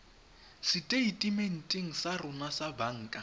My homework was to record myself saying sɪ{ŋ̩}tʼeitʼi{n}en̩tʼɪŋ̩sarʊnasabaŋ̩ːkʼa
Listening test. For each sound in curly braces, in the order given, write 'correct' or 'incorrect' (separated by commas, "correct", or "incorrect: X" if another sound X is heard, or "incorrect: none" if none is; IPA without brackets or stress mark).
incorrect: none, incorrect: m